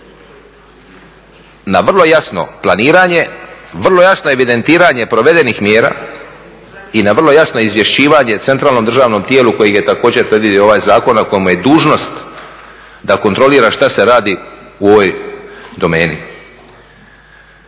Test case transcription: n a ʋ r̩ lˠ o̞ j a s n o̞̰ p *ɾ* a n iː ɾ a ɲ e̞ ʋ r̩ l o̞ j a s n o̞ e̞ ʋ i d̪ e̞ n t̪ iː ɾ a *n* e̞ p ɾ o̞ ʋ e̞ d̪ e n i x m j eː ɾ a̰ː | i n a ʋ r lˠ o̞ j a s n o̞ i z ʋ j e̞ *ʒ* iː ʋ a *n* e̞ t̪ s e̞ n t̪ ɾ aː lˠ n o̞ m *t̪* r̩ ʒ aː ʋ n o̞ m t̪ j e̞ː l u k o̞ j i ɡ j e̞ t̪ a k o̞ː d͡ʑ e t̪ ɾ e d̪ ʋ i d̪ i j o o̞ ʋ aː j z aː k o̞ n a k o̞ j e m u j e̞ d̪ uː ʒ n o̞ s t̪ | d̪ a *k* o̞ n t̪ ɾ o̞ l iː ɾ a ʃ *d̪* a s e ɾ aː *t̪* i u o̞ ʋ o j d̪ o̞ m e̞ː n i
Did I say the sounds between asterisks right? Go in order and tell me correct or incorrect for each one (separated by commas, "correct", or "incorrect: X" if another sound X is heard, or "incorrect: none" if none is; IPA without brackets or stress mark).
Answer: incorrect: l, incorrect: ɲ, incorrect: ʃ, incorrect: ɲ, incorrect: d̪, correct, incorrect: t̪, incorrect: d̪